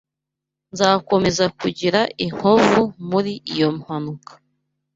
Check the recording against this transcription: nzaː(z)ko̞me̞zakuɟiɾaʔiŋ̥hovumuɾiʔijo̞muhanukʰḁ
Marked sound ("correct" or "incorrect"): incorrect